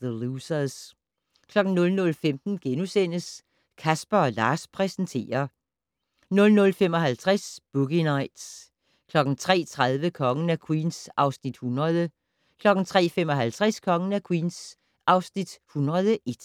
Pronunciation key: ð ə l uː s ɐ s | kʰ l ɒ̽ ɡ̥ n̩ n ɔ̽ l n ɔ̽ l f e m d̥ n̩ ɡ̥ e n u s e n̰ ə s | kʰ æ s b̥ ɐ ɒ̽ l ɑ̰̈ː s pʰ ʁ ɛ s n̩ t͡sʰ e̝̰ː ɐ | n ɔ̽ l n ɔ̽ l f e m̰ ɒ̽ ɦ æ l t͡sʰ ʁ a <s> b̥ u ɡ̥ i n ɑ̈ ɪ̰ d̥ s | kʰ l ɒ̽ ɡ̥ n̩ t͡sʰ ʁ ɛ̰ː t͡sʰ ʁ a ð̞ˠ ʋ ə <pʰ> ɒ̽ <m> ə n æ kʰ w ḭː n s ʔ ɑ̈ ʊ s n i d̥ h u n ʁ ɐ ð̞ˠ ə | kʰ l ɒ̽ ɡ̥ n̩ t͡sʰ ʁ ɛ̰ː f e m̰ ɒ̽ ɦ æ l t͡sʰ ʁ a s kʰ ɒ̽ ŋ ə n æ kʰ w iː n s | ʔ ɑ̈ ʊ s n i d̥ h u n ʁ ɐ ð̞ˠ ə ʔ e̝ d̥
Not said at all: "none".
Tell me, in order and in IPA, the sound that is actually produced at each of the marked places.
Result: s, kʰ, ŋ

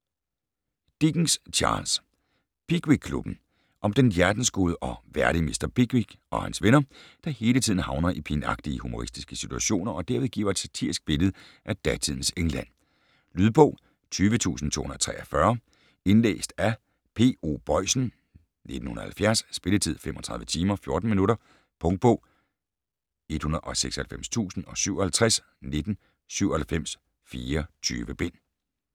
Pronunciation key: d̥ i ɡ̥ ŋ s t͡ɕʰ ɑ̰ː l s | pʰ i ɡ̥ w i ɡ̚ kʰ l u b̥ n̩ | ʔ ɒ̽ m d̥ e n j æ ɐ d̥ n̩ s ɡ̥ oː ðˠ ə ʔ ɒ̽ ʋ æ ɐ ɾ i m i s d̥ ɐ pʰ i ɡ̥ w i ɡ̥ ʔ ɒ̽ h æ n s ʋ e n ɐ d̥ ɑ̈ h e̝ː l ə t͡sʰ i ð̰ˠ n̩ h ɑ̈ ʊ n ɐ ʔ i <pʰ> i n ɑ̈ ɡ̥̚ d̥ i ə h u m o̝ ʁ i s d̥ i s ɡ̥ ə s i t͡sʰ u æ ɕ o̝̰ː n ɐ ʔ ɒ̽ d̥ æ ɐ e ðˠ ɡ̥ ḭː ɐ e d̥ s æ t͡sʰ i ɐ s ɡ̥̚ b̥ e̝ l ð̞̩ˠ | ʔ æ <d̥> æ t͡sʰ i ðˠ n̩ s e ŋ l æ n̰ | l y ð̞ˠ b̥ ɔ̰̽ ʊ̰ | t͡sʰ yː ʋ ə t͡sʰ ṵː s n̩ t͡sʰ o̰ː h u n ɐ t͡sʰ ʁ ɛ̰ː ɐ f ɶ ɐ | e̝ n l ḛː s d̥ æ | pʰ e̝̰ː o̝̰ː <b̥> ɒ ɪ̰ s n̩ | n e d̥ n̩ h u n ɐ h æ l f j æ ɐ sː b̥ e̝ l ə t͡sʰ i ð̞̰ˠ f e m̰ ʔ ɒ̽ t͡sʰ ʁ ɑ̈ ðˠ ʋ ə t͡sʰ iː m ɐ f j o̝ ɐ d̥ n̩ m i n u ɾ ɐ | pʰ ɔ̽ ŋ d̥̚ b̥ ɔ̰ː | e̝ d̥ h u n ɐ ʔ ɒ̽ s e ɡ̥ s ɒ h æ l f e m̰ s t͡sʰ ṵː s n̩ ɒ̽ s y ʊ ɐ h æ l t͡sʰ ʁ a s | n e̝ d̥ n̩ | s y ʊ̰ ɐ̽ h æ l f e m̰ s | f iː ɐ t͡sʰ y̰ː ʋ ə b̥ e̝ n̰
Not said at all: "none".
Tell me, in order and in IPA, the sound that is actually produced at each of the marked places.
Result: pʰ, d̥, b̥

